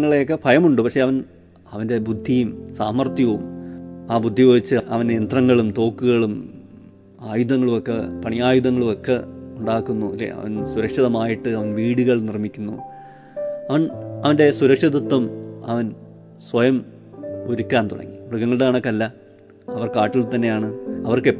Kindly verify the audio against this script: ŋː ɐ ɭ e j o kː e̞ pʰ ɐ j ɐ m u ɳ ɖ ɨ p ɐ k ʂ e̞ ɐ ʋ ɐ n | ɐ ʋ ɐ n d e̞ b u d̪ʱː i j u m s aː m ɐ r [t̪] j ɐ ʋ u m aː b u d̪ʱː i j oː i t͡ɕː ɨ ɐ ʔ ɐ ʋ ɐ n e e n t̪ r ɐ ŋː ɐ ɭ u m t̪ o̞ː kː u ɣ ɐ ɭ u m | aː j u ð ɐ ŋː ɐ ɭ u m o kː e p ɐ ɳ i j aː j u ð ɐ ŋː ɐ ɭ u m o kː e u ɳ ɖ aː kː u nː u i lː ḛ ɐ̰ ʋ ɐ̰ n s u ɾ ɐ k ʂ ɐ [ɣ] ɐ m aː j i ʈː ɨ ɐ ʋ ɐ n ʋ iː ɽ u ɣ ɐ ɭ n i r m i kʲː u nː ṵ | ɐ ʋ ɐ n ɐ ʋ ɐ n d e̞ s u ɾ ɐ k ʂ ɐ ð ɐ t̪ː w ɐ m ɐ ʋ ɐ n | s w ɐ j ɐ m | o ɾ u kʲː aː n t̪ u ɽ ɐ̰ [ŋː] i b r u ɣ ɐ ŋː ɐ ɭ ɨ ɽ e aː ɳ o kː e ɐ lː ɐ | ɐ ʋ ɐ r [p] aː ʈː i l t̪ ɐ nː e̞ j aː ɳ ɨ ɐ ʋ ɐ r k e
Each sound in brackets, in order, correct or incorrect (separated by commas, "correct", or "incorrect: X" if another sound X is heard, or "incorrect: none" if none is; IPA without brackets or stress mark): correct, incorrect: ð, correct, incorrect: k